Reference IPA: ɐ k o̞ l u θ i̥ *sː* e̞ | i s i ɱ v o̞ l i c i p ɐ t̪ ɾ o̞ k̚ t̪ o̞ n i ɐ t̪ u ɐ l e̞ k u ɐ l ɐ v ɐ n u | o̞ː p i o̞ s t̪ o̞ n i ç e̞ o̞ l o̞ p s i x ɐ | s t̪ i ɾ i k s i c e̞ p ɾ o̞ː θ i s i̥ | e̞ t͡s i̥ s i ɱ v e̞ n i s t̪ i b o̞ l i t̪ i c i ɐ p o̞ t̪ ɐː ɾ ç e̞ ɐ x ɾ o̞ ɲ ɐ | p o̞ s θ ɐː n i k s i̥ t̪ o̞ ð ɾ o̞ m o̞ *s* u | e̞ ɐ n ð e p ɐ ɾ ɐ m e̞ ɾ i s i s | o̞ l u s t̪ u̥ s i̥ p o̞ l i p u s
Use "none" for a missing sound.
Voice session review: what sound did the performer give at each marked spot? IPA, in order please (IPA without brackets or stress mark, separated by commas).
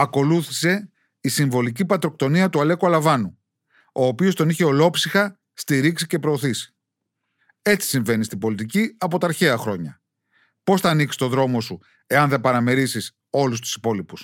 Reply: s, s